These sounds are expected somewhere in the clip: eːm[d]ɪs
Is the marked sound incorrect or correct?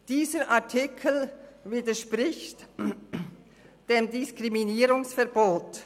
correct